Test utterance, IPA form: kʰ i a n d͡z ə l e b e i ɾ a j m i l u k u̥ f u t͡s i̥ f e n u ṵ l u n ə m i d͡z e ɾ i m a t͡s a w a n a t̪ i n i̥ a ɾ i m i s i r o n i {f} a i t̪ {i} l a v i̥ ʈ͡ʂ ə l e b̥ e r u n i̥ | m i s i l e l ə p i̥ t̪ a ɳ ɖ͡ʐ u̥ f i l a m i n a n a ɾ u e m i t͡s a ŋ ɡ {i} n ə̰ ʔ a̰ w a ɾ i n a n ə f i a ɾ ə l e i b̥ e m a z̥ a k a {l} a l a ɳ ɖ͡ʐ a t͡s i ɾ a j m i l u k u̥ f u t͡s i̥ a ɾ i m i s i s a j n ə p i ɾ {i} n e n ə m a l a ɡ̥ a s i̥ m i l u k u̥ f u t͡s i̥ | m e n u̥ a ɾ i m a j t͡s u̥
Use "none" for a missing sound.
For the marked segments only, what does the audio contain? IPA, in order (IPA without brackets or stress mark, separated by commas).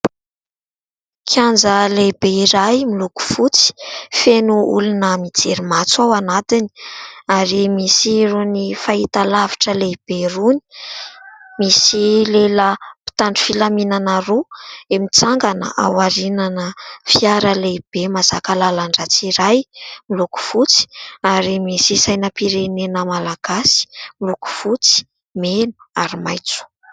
f, a, a, l, e